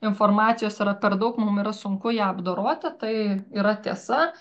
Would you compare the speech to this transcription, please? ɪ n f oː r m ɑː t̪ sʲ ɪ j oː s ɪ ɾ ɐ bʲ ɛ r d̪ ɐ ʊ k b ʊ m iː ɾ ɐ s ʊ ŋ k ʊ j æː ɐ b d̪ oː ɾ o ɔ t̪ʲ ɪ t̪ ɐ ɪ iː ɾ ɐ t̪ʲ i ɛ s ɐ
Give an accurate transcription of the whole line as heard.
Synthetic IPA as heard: ɪ n f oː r m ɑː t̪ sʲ ɪ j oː s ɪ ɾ ɐ pʲ ɛ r d̪ ɐ ʊ k m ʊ m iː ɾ ɐ s ʊ ŋ k ʊ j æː ɐ b d̪ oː ɾ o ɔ t̪ʲ ɪ t̪ ɐ ɪ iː ɾ ɐ t̪ʲ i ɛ s ɐ